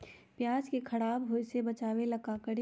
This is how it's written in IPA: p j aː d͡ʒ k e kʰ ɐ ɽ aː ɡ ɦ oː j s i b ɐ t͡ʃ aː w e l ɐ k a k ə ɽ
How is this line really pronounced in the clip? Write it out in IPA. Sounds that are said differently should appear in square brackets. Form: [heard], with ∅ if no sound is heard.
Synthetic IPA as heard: p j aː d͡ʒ k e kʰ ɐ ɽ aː [b] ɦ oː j s [e] b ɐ t͡ʃ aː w e l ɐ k a k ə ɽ